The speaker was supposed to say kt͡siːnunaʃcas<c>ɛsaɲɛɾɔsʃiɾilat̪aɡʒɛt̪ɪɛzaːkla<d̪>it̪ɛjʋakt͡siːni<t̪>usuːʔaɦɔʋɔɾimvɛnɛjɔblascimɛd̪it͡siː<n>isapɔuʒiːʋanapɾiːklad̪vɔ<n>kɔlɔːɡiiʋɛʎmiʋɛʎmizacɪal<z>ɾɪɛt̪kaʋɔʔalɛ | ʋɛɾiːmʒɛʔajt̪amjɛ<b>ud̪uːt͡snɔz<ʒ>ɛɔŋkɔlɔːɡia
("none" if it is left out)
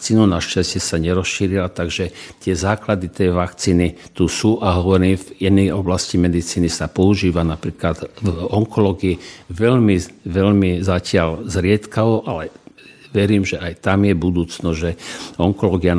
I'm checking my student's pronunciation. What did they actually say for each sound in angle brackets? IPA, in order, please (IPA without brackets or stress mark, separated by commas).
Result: c, d̪, t̪, n, ŋ, z, b, ʒ